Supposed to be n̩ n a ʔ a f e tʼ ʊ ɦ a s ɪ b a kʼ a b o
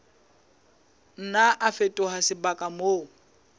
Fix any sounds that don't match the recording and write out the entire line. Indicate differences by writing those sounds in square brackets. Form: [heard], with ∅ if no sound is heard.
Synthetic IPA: n̩ n a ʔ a f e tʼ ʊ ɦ a s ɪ b a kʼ a [m] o